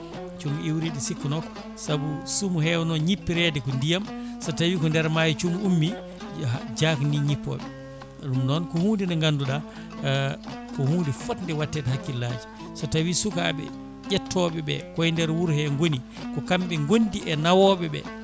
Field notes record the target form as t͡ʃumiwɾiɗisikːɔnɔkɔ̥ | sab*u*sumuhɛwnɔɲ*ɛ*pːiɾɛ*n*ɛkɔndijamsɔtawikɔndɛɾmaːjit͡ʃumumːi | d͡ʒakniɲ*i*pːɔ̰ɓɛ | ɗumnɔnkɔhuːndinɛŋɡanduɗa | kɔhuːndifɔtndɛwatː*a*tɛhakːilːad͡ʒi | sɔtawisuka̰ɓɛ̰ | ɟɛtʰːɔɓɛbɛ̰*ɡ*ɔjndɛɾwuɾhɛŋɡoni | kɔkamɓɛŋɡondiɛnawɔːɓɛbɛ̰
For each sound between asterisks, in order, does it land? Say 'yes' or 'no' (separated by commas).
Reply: yes, no, no, yes, no, no